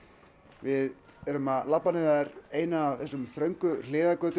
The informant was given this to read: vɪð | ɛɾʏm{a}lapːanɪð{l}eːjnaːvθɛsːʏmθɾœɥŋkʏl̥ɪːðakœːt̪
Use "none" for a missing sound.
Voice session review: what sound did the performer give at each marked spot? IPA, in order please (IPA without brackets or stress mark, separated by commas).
a, ɾ